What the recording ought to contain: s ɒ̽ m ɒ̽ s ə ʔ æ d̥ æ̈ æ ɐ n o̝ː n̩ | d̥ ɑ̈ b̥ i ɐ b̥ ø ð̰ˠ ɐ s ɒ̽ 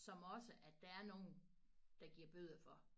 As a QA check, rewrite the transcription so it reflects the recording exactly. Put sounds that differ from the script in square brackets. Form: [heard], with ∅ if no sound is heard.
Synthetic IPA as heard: s ɒ̽ m ɒ̽ s ə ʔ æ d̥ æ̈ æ ɐ n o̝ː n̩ | d̥ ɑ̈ [ɡ̥] i ɐ b̥ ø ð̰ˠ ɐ [f] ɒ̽